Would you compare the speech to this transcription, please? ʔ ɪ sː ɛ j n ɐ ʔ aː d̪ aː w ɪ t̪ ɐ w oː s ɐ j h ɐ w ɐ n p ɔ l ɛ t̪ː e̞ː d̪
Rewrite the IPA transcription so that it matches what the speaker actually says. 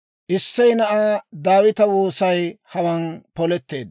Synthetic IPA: ʔ ɪ sː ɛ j n ɐ ʔ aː d̪ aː w ɪ t̪ ɐ w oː s ɐ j h ɐ w ɐ n p ɔ l ɛ t̪ː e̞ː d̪